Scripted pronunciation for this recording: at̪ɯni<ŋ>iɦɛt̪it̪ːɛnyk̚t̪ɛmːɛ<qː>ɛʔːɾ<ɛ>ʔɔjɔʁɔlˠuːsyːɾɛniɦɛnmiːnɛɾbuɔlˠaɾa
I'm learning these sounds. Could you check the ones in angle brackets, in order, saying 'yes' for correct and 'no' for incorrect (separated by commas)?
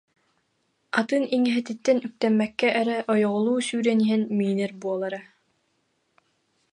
yes, no, yes